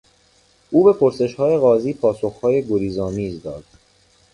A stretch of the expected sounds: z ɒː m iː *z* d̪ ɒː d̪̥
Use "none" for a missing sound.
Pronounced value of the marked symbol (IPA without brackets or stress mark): z